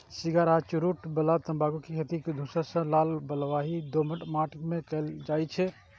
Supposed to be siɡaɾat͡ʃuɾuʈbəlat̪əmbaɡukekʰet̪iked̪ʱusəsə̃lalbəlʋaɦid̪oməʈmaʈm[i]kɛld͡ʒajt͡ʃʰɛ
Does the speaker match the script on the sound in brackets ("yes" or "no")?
no